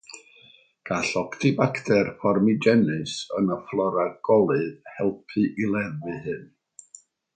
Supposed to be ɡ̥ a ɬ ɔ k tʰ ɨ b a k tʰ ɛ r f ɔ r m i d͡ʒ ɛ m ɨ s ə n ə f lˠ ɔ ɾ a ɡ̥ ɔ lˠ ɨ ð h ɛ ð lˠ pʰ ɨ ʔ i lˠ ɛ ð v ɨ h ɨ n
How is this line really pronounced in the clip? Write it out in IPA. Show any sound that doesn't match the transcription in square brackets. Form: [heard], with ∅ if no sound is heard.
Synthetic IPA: ɡ̥ a ɬ ɔ k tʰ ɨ b a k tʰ ɛ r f ɔ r m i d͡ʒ ɛ [n] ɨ s ə n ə f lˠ ɔ ɾ a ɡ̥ ɔ lˠ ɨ ð h ɛ [∅] lˠ pʰ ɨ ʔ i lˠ ɛ ð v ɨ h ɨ n